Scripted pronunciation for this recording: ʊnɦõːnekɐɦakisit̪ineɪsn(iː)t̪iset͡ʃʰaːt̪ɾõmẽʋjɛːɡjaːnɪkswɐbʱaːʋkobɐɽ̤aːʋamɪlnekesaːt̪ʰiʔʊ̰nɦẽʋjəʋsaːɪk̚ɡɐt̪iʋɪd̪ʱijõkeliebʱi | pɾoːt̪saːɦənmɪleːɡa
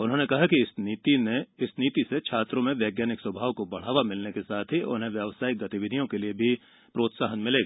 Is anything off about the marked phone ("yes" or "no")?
no